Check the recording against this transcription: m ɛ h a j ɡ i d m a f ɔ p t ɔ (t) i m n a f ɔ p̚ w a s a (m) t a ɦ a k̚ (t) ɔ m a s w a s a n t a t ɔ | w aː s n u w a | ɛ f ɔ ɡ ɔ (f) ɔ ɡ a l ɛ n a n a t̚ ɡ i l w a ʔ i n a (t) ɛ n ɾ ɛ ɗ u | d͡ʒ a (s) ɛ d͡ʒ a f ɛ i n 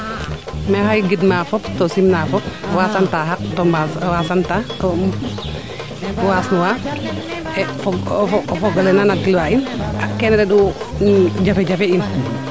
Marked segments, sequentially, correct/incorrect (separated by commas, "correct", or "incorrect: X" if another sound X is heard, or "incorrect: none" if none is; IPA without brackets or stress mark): incorrect: s, incorrect: n, correct, correct, incorrect: k, incorrect: f